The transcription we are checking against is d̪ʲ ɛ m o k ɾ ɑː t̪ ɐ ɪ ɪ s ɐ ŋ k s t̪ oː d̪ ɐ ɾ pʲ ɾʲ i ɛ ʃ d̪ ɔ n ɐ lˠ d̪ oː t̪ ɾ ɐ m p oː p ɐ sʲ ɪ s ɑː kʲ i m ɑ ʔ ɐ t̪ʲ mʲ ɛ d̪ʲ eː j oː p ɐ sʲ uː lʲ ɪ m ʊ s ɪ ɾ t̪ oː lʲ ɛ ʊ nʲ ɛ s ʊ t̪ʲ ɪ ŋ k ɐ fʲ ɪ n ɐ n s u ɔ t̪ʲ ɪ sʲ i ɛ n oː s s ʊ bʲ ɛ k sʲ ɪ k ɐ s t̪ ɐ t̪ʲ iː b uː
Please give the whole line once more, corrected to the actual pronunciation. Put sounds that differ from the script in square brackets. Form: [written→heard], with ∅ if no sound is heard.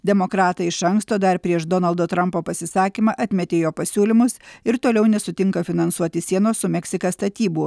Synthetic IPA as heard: d̪ʲ ɛ m o k ɾ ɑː t̪ ɐ ɪ ɪ [s→ʃ] ɐ ŋ k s t̪ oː d̪ ɐ ɾ pʲ ɾʲ i ɛ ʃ d̪ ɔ n ɐ lˠ d̪ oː t̪ ɾ ɐ m p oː p ɐ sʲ ɪ s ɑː kʲ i m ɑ ʔ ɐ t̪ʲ mʲ ɛ [d̪ʲ→t̪ʲ] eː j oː p ɐ sʲ uː lʲ ɪ m ʊ s ɪ ɾ t̪ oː lʲ ɛ ʊ nʲ ɛ s ʊ t̪ʲ ɪ ŋ k ɐ fʲ ɪ n ɐ n s u ɔ t̪ʲ ɪ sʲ i ɛ n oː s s ʊ [bʲ→mʲ] ɛ k sʲ ɪ k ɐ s t̪ ɐ t̪ʲ iː b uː